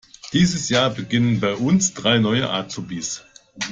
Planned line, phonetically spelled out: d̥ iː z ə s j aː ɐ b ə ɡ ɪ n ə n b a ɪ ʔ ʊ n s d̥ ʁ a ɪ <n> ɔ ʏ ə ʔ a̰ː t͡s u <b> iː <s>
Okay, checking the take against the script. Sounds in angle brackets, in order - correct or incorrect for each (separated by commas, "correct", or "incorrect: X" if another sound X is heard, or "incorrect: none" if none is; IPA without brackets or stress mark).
correct, correct, correct